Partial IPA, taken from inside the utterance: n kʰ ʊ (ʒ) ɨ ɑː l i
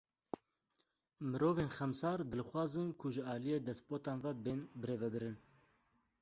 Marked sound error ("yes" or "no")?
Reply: no